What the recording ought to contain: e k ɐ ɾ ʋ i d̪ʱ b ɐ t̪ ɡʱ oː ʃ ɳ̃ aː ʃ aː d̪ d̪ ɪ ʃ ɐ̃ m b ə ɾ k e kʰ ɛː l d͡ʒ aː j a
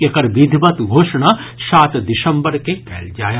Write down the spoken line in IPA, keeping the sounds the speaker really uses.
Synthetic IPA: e k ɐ ɾ ʋ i d̪ʱ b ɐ t̪ ɡʱ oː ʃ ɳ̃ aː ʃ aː t̪ d̪ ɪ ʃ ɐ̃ m b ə ɾ k e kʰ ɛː l d͡ʒ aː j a

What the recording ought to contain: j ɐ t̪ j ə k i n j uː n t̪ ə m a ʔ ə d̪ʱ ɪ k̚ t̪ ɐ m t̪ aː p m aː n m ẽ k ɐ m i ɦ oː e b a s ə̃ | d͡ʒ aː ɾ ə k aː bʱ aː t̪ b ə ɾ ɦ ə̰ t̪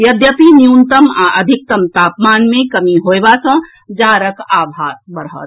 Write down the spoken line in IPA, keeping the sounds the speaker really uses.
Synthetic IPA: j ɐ d̪ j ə p i n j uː n t̪ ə m a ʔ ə d̪ʱ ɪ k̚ t̪ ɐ m t̪ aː p m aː n m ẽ k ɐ m i ɦ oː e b a s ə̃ | d͡ʒ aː ɾ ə k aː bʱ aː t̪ b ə ɾ ɦ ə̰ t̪

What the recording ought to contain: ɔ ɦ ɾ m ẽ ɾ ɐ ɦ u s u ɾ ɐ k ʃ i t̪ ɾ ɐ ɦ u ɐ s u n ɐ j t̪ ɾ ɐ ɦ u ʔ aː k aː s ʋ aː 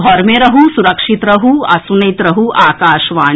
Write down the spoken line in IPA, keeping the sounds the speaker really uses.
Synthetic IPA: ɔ ɾ m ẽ ɾ ɐ ɦ u s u ɾ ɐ k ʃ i t̪ ɾ ɐ ɦ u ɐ s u n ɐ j t̪ ɾ ɐ ɦ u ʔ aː k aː ʃ ʋ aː

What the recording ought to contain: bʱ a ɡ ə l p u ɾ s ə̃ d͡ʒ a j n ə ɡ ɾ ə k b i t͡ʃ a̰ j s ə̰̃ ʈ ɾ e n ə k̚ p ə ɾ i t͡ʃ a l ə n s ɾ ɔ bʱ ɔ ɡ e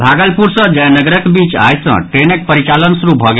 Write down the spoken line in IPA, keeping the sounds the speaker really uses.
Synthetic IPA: bʱ a ɡ ə l p u ɾ s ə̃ d͡ʒ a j n ə ɡ ɾ ə k b i t͡ʃ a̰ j s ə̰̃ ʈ ɾ e n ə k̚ p ə ɾ i t͡ʃ a l ə n s ɾ u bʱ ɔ ɡ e

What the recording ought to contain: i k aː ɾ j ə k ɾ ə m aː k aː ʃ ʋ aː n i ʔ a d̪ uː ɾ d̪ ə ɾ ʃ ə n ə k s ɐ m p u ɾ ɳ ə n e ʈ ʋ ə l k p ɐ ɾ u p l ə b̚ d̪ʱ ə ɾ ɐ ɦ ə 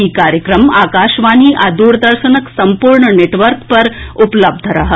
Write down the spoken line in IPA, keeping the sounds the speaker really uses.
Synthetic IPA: i k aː ɾ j ə k ɾ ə m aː k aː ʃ ʋ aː n i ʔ a d̪ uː ɾ d̪ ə ɾ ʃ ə n ə k s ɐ m p u ɾ ɳ ə n e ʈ ʋ ə ɾ k p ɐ ɾ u p l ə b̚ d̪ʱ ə ɾ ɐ ɦ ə

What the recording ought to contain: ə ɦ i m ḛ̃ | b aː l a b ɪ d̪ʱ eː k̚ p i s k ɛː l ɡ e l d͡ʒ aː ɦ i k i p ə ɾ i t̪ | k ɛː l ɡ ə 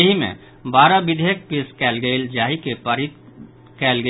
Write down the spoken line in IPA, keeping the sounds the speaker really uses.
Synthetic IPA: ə ɦ i m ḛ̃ | b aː ɾ a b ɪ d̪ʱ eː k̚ p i s k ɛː l ɡ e l d͡ʒ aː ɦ i k e p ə ɾ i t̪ | k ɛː l ɡ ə

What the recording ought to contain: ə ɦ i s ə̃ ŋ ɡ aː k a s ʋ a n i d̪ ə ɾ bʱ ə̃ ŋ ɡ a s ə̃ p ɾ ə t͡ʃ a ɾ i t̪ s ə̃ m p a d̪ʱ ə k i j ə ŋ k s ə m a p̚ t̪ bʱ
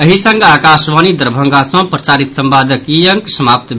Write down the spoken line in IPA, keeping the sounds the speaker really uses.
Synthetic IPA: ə ɦ i s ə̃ ŋ ɡ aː k a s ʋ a n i d̪ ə ɾ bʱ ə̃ ŋ ɡ a s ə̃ p ɾ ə t͡ʃ a ɾ i t̪ s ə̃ m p a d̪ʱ ə k i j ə ŋ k s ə m a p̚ t̪ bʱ

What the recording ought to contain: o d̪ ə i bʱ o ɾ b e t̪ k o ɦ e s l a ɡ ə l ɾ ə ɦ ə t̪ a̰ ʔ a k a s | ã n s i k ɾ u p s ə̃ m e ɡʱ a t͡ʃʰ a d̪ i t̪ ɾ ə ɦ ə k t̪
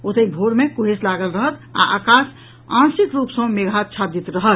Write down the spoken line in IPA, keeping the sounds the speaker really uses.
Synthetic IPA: o t̪ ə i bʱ o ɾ m e k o ɦ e s l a ɡ ə l ɾ ə ɦ ə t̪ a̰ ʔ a k a s | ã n s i k ɾ u p s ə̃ m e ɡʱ a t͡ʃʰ a d̪ i t̪ ɾ ə ɦ ə t̪

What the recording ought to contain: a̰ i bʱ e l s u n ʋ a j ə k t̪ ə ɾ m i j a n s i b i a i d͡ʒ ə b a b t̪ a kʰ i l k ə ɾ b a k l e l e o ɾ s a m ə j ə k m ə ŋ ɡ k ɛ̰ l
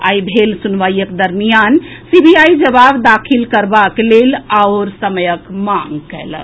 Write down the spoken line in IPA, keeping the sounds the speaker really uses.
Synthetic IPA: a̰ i bʱ e l s u n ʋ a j ə k d̪ ə ɾ m i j a n s i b i a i d͡ʒ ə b a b d̪ a kʰ i l k ə ɾ b a k l e l a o ɾ s ə m ə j ə k m a ŋ ɡ k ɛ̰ l

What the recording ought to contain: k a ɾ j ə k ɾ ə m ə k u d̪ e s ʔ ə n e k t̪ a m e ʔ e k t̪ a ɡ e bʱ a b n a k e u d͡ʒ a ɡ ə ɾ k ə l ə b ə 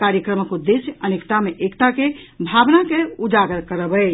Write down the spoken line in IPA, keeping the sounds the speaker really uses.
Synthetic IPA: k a ɾ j ə k ɾ ə m ə k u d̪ e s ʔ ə n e k t̪ a m e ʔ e k t̪ a k e bʱ a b n a k e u d͡ʒ a ɡ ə ɾ k ə ɾ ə b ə

